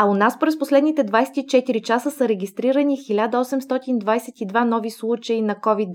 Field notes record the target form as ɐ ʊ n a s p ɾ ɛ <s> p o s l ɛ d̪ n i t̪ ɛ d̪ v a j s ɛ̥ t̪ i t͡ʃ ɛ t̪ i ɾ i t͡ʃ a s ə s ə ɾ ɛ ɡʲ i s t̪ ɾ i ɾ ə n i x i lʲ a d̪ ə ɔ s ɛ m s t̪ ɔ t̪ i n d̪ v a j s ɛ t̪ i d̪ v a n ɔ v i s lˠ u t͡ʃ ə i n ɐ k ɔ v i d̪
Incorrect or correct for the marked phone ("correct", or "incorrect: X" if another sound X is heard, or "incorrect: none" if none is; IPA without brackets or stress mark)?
correct